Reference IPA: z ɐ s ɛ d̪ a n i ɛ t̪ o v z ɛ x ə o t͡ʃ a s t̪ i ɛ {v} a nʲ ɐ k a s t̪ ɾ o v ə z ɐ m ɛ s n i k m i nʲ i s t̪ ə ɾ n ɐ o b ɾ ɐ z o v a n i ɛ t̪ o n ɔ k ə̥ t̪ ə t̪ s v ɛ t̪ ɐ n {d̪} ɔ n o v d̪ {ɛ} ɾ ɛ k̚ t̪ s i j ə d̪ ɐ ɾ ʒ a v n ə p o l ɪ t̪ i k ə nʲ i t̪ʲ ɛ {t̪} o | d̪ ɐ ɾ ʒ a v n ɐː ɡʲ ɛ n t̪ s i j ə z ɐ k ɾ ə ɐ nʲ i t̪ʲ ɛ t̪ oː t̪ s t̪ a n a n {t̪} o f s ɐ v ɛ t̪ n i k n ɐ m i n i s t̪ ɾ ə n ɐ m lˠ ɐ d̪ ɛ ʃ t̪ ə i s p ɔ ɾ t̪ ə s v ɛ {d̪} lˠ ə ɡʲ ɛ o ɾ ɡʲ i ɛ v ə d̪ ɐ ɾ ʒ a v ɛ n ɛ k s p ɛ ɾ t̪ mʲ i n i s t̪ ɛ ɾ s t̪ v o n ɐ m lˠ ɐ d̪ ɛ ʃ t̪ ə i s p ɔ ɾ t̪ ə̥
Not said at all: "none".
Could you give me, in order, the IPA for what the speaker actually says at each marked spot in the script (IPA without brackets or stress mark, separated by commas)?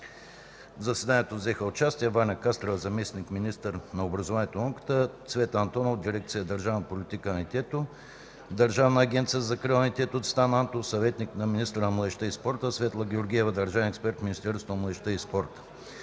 v, t̪, i, t̪, t̪, t̪